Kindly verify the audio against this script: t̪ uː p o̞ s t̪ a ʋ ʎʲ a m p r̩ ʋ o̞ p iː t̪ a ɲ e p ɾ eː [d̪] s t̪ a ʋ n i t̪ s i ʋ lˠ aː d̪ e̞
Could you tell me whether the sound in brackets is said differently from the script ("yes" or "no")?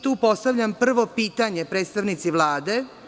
yes